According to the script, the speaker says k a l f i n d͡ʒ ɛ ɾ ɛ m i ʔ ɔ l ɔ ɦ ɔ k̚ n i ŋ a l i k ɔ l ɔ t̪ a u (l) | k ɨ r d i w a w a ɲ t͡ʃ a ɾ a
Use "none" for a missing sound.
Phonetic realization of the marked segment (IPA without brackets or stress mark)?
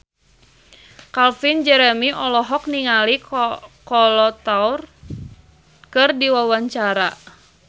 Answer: r